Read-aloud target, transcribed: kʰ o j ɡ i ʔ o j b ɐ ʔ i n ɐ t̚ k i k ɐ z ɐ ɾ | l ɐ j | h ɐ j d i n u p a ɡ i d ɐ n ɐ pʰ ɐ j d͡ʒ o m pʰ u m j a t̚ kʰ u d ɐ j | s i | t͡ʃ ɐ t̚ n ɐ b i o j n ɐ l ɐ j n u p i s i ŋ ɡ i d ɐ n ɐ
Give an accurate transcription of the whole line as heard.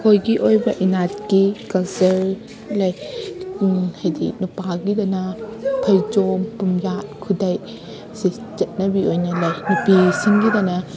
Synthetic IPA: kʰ o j ɡ i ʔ o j b ɐ ʔ i n a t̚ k i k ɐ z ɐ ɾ | l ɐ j | h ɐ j d i n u p a ɡ i d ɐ n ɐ pʰ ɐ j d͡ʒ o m p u m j a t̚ kʰ u d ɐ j | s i | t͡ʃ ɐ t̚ n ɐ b i o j n ɐ l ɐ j n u p i s i ŋ ɡ i d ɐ n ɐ

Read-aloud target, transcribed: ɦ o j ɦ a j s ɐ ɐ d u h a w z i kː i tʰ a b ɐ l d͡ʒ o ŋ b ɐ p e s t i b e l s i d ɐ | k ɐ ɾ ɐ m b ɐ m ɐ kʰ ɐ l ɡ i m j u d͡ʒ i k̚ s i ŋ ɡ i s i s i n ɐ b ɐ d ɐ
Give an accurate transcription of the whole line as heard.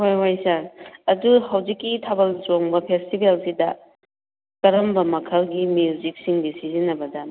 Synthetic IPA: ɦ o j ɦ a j s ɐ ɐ d u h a w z i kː i tʰ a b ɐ l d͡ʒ o ŋ b ɐ pʰ e s t i b e l s i d ɐ | k ɐ ɾ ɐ m b ɐ m ɐ kʰ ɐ l ɡ i m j u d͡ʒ i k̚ s i ŋ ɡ i s i z i n ɐ b ɐ d ɐ

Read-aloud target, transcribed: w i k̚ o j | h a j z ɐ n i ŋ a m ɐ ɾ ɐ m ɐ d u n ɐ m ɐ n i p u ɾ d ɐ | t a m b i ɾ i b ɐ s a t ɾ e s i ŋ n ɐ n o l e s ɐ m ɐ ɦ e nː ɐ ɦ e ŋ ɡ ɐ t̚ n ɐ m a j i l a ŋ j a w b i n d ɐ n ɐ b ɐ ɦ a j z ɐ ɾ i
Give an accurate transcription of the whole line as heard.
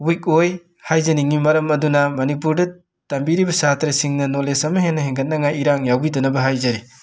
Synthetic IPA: w i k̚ o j | h a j z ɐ n i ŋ i m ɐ ɾ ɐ m ɐ d u n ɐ m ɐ n i p u ɾ d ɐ | t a m b i ɾ i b ɐ s a t ɾ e s i ŋ n ɐ n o l e s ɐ m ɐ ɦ e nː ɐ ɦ e ŋ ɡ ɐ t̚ n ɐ ŋ a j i ɾ a ŋ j a w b i d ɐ n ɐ b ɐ ɦ a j z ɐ ɾ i

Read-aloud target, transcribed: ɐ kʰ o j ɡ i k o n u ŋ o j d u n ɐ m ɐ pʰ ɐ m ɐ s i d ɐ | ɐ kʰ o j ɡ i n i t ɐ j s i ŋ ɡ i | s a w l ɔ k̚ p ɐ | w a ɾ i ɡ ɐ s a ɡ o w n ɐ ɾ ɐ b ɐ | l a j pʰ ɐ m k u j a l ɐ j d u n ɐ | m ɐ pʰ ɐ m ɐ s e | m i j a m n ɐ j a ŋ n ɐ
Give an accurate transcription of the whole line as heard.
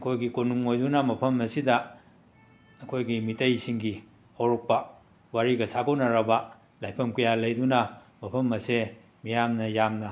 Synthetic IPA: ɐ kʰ o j ɡ i k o n u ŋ o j d u n ɐ m ɐ pʰ ɐ m ɐ s i d ɐ | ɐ kʰ o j ɡ i m i t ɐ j s i ŋ ɡ i | h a w ɾ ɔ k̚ p ɐ | w a ɾ i ɡ ɐ s a ɡ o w n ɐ ɾ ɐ b ɐ | l a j pʰ ɐ m k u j a l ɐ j d u n ɐ | m ɐ pʰ ɐ m ɐ s e | m i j a m n ɐ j a m n ɐ

